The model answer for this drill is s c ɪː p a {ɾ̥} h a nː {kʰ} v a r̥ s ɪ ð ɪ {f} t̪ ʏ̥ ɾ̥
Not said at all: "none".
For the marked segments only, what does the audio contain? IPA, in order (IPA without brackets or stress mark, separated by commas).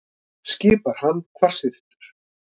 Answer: ɾ̥, kʰ, h